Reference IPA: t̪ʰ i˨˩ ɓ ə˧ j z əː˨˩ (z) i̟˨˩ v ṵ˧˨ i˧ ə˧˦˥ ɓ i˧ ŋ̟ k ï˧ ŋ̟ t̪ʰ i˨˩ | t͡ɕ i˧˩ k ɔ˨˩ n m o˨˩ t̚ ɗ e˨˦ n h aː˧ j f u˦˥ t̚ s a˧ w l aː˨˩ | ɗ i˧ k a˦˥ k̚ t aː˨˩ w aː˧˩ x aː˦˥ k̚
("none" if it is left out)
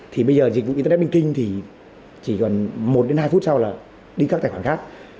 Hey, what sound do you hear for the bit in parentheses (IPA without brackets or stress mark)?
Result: z